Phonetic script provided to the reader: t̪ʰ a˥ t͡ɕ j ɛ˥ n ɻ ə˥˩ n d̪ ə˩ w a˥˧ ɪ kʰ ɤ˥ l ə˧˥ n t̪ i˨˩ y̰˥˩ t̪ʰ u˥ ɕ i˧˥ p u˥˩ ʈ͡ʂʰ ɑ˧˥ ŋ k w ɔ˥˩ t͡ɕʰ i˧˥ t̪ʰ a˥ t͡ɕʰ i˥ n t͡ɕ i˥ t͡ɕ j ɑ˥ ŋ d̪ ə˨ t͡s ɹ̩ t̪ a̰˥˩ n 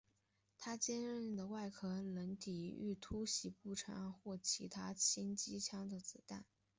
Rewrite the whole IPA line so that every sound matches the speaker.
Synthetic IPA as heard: t̪ʰ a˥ t͡ɕ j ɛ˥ n ɻ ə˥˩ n d̪ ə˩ w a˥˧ ɪ kʰ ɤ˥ l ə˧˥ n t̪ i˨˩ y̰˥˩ t̪ʰ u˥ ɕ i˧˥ p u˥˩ ʈ͡ʂʰ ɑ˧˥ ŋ x w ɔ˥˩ t͡ɕʰ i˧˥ t̪ʰ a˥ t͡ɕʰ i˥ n t͡ɕ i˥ t͡ɕʰ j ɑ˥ ŋ d̪ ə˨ t͡s ɹ̩ t̪ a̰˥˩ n